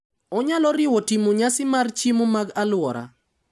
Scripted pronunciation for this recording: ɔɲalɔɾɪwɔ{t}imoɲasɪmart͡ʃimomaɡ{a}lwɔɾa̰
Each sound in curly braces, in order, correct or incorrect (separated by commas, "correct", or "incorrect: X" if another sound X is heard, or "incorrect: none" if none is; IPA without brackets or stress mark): correct, correct